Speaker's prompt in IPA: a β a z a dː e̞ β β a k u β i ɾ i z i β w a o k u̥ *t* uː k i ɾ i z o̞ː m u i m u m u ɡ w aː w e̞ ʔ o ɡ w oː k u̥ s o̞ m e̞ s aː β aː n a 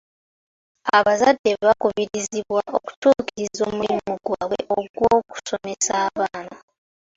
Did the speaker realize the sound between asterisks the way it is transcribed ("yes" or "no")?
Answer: yes